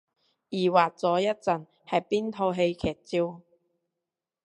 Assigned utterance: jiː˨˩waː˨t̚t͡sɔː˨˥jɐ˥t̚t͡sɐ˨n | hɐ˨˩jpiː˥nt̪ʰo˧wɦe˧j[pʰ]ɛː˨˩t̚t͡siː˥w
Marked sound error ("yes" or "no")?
yes